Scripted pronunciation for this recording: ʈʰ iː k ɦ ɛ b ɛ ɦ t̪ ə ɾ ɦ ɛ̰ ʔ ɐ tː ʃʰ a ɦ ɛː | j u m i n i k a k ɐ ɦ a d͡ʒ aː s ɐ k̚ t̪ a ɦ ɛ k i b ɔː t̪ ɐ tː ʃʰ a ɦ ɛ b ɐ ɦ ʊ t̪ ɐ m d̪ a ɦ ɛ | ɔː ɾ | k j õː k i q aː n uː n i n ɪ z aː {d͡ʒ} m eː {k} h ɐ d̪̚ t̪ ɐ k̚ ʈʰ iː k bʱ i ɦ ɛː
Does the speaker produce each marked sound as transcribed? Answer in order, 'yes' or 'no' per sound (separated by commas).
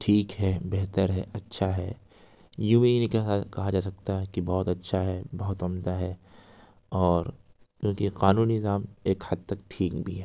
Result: no, yes